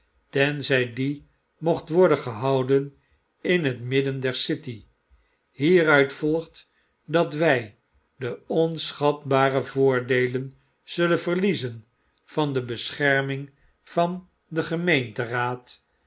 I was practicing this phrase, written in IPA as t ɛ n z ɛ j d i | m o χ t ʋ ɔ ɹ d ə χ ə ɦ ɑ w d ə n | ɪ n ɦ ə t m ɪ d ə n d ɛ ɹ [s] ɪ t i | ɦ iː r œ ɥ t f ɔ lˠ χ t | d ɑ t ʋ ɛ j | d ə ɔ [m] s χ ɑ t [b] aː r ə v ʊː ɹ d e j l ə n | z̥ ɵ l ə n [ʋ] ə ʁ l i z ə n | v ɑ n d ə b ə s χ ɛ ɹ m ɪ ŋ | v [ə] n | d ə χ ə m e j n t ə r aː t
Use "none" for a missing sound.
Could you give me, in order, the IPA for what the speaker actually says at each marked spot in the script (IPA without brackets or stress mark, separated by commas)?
s, n, b, v, ɑ